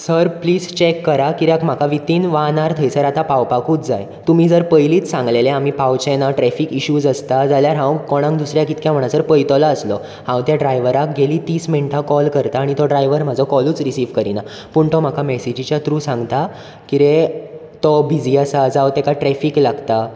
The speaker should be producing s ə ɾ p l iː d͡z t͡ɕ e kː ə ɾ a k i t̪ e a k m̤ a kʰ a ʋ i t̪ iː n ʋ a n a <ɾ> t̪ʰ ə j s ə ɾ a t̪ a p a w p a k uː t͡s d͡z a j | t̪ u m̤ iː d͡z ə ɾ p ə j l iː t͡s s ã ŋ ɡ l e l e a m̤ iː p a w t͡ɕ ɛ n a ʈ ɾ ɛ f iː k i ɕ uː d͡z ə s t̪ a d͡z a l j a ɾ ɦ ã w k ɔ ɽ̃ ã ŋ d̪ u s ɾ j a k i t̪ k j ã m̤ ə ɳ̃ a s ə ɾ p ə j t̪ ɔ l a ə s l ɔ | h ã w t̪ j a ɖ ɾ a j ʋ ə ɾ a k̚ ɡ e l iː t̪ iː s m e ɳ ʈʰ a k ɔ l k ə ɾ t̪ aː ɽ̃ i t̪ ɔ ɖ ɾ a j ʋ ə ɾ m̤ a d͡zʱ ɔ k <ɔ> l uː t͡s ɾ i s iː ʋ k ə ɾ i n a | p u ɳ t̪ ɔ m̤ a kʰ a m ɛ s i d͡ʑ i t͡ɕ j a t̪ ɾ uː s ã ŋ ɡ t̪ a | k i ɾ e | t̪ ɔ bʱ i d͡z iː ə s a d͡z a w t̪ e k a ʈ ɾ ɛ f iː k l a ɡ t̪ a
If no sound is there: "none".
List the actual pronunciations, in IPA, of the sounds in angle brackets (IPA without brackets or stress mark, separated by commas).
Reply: ɾ, ɔ